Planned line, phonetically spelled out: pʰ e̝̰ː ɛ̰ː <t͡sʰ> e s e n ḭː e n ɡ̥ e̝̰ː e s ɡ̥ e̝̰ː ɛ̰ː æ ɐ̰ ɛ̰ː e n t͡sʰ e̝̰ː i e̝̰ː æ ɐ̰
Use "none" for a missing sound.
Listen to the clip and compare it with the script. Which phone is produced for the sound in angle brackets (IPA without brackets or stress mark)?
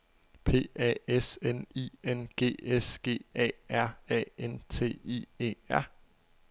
none